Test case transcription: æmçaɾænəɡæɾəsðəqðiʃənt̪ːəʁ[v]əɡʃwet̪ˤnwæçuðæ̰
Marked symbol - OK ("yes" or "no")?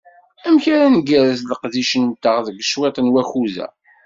no